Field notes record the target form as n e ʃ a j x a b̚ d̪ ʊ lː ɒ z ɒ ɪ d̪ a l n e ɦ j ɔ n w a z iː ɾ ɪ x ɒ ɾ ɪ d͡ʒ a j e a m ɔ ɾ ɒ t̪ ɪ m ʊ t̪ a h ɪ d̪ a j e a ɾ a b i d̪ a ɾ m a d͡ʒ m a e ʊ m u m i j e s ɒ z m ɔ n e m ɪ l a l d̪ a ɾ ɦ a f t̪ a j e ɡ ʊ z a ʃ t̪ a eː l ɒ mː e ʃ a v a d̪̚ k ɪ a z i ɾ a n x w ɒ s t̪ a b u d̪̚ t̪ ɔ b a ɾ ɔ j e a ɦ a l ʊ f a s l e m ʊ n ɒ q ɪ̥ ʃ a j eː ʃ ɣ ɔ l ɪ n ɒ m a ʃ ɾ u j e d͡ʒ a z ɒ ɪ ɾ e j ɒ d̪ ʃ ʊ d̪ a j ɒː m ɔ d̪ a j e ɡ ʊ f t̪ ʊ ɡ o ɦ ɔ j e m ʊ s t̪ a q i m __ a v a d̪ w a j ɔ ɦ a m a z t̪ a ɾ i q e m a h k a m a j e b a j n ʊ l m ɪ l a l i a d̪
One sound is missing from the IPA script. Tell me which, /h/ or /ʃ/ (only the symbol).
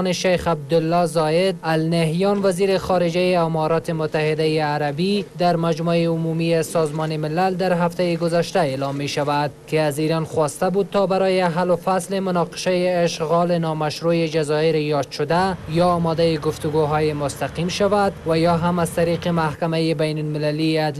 ʃ